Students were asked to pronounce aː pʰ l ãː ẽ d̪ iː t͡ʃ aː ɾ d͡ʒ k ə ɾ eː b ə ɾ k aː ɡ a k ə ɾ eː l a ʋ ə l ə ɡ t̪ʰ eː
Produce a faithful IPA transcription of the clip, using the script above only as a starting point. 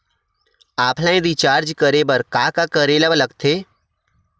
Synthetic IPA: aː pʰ l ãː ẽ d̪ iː t͡ʃ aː ɾ d͡ʒ k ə ɾ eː b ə ɾ k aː k a k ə ɾ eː l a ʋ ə l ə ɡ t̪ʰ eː

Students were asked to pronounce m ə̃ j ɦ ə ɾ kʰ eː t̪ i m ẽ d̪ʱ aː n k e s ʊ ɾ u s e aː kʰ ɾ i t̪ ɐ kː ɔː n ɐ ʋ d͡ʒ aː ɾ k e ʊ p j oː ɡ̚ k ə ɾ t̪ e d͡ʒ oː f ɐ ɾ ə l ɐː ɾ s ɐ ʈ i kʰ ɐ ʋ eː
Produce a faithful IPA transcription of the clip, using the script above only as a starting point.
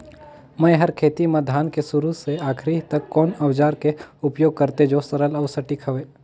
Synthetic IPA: m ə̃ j ɦ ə ɾ kʰ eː t̪ i m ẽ d̪ʱ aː n k e s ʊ ɾ u s e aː kʰ ɾ i t̪ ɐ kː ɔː n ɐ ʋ d͡ʒ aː ɾ k e ʊ p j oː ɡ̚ k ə ɾ t̪ e d͡ʒ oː s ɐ ɾ ə l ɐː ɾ s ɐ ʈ i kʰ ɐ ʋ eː

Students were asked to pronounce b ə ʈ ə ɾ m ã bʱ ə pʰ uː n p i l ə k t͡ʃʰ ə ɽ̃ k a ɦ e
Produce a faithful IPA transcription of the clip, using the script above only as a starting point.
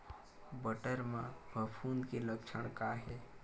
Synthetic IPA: b ə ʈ ə ɾ m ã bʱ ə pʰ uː n k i l ə k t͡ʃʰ ə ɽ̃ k a ɦ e

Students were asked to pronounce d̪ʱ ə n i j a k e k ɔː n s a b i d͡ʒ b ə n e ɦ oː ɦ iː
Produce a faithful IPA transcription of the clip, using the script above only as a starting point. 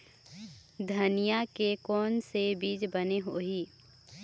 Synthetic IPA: d̪ʱ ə n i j a k e k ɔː n s e b iː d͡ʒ b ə n e ɦ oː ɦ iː

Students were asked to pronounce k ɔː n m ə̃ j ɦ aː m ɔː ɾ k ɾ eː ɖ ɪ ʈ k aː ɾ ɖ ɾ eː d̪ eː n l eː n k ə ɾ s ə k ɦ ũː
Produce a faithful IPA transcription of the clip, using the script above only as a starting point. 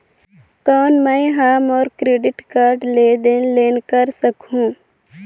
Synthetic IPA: k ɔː n m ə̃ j ɦ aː m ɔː ɾ k ɾ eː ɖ ɪ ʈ k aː ɾ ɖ l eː d̪ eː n l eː n k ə ɾ s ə k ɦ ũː

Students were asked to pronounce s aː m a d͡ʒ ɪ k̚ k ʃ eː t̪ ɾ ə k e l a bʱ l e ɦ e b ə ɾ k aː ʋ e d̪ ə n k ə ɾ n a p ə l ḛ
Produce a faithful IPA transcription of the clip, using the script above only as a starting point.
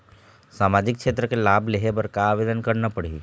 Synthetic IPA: s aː m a d͡ʒ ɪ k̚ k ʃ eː t̪ ɾ ə k e l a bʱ l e ɦ e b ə ɾ k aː ʋ e d̪ ə n k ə ɾ n a p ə ɽ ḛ

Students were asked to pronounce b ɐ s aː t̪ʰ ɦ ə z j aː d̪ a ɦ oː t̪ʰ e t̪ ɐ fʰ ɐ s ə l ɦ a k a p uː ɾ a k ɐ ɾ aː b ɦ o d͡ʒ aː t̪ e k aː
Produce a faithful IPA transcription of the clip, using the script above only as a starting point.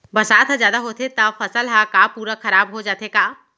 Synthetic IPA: b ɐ s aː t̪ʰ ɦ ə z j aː d̪ a ɦ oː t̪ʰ e t̪ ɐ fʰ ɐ s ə l ɦ a k a p uː ɾ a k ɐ ɾ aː b ɦ o d͡ʒ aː t̪ e k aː

